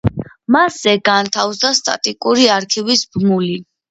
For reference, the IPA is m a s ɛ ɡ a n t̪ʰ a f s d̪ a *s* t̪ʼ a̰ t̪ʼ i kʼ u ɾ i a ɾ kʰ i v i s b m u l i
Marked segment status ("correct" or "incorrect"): correct